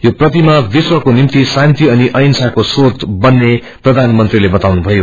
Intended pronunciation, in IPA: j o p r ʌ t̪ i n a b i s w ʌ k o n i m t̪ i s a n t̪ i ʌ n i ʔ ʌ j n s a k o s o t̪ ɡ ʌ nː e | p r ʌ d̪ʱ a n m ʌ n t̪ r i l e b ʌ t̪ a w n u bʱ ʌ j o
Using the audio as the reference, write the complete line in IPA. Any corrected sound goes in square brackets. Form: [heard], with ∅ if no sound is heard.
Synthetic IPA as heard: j o p r ʌ t̪ i [m] a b i s w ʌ k o n i m t̪ i s a n t̪ i ʌ n i ʔ ʌ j n s a k o s o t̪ [b] ʌ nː e | p r ʌ d̪ʱ a n m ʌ n t̪ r i l e b ʌ t̪ a w n u bʱ ʌ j o